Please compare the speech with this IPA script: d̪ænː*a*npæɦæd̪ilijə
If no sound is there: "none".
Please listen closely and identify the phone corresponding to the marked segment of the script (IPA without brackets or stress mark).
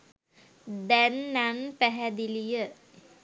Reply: a